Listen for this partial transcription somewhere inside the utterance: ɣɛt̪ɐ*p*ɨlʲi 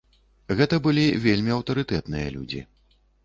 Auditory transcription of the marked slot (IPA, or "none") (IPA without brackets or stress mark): b